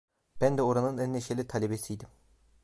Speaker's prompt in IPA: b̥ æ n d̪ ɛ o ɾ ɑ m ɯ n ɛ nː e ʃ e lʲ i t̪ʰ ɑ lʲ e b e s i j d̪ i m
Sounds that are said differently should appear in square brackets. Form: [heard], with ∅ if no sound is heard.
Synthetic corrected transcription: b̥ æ n d̪ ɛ o ɾ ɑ [n] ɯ n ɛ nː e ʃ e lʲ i t̪ʰ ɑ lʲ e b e s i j d̪ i m